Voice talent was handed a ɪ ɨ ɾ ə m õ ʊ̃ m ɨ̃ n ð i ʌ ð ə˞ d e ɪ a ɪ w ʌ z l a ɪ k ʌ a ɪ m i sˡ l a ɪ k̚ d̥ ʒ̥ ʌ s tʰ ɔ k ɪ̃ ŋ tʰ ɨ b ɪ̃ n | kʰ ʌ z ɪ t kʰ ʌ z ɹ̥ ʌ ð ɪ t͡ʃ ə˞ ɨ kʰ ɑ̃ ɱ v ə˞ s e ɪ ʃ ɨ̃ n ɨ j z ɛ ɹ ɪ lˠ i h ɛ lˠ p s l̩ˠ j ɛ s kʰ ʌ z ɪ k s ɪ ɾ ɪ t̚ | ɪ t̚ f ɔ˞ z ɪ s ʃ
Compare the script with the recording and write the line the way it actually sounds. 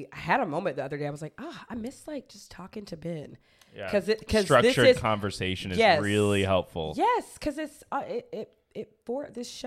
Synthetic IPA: a ɪ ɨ ɾ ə m õ ʊ̃ m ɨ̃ n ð i ʌ ð ə˞ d e ɪ a ɪ w ʌ z l a ɪ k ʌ a ɪ m ɪ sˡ l a ɪ k̚ d̥ ʒ̥ ʌ s tʰ ɔ k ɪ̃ ŋ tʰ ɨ b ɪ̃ n | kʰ ʌ z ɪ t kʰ ʌ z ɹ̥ ʌ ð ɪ t͡ʃ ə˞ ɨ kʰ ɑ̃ ɱ v ə˞ s e ɪ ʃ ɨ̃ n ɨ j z ɛ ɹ ɪ lˠ i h ɛ lˠ p f l̩ˠ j ɛ s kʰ ʌ z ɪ t s ɪ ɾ ɪ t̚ | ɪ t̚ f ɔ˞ ð ɪ s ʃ